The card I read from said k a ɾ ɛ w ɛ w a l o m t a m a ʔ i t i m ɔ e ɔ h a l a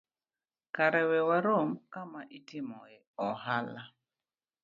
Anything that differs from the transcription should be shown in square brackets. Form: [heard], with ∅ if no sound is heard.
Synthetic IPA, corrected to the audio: k a ɾ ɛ w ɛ w a [ɾ] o m [k] a m a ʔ i t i m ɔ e ɔ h a l a